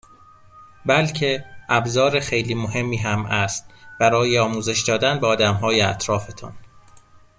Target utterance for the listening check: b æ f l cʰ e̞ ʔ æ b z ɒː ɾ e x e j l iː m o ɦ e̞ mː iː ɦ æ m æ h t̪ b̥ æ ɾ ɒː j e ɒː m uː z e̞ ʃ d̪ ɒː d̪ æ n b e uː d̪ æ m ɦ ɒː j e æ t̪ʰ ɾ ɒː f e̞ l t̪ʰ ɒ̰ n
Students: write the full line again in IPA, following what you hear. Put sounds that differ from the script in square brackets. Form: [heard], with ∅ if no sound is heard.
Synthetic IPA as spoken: b æ [∅] l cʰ e̞ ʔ æ b z ɒː ɾ e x e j l iː m o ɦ e̞ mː iː ɦ æ m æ [s] t̪ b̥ æ ɾ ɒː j e ɒː m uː z e̞ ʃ d̪ ɒː d̪ æ n b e [ɒː] d̪ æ m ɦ ɒː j e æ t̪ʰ ɾ ɒː f e̞ [∅] t̪ʰ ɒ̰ n